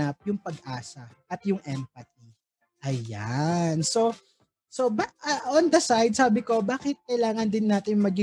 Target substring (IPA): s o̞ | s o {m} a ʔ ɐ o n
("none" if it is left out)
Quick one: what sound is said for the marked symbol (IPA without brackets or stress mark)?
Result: b